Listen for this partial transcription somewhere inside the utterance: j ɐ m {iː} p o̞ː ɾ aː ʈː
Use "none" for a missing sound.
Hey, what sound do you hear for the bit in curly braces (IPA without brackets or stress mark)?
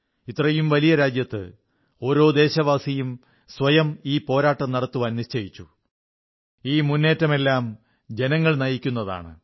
iː